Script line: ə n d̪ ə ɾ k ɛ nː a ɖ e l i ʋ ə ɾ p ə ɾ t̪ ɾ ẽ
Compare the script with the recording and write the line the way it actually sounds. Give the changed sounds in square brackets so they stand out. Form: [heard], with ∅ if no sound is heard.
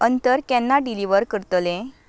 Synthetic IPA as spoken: ə n [t̪] ə ɾ k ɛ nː a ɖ [i] l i ʋ ə ɾ [k] ə ɾ t̪ [l] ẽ